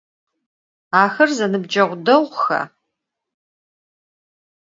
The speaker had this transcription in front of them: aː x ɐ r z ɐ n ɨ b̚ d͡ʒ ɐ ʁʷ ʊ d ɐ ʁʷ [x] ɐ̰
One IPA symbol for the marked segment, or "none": x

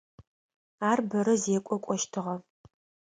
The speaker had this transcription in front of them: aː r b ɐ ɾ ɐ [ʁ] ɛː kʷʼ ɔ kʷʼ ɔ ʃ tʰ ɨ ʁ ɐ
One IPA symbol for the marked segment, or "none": z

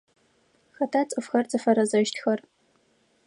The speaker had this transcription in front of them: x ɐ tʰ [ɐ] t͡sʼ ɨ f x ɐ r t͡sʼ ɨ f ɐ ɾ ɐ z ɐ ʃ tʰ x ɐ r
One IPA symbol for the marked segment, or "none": a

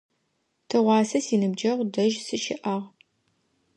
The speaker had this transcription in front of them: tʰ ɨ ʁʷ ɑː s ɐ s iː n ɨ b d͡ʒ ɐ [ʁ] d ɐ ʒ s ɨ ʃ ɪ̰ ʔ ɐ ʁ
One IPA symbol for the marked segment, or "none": ʁ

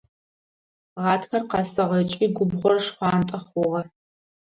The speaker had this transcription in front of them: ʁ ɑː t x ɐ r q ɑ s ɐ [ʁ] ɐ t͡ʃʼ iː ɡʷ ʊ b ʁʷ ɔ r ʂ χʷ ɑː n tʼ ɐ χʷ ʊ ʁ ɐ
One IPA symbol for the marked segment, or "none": ʁ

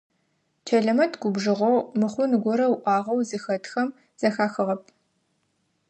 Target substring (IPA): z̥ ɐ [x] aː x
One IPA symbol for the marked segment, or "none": x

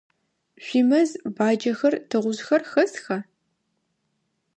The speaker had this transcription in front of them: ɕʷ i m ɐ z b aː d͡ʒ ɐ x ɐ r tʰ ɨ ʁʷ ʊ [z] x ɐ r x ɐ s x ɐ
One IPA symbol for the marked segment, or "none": z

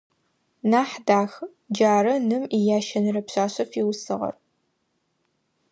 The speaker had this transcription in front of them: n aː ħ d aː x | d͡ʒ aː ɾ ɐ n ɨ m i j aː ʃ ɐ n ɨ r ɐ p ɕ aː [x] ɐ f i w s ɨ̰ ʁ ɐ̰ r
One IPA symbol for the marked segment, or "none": ɕ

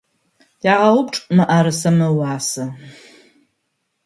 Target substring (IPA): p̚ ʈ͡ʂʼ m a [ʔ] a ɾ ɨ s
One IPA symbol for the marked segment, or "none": ʔ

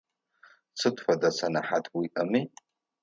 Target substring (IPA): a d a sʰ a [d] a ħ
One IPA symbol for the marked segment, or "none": n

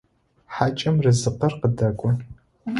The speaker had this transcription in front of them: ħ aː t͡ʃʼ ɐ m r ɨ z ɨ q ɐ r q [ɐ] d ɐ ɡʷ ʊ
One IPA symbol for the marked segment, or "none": ə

